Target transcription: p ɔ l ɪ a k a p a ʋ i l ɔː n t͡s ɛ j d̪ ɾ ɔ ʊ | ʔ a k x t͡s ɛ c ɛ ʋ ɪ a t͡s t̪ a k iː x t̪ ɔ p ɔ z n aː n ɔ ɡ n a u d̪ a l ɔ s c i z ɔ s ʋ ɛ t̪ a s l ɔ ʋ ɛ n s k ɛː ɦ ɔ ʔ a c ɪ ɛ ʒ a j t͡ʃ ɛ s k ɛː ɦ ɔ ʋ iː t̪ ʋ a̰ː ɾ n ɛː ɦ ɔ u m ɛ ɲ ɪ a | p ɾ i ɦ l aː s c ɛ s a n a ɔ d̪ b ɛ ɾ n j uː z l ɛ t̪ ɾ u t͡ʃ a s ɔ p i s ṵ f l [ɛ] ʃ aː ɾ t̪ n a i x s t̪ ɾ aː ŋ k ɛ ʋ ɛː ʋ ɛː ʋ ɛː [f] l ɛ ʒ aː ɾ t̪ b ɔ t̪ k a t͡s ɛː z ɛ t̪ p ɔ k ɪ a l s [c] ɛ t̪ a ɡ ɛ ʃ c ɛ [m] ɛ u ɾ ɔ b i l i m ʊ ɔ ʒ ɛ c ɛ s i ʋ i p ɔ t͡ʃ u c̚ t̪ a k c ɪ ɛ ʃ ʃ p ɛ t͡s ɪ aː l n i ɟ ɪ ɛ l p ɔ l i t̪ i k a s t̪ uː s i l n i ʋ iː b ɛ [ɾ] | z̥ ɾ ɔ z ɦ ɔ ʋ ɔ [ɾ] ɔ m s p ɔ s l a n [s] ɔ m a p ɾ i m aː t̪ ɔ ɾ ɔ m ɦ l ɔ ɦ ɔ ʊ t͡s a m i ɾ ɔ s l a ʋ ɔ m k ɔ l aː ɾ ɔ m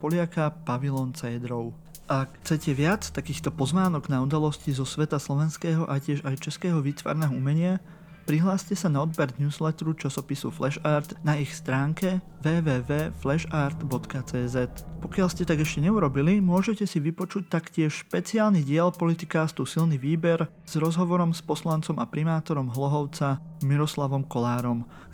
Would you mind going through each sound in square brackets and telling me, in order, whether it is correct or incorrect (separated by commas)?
correct, correct, correct, incorrect, correct, correct, incorrect